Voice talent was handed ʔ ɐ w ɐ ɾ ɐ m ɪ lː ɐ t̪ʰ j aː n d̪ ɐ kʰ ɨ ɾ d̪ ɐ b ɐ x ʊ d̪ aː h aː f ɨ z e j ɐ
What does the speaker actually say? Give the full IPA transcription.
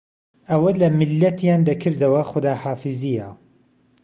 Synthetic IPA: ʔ ɐ w ɐ l ɐ m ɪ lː ɐ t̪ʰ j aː n d̪ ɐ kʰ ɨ ɾ d̪ ɐ w ɐ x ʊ d̪ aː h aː f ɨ z i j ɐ